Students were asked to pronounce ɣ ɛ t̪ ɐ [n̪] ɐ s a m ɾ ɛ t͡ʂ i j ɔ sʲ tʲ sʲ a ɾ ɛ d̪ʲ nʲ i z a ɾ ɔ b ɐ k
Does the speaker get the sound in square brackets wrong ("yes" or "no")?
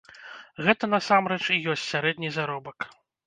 no